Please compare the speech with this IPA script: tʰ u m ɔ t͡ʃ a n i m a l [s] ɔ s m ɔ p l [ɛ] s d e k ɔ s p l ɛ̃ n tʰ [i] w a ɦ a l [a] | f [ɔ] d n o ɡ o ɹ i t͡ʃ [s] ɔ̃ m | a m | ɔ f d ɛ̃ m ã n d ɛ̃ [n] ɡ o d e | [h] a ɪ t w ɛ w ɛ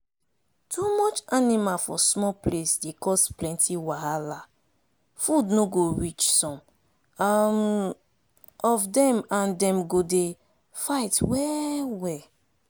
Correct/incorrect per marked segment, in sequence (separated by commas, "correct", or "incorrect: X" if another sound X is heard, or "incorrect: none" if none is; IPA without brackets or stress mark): incorrect: f, incorrect: e, correct, correct, incorrect: u, correct, incorrect: m, incorrect: f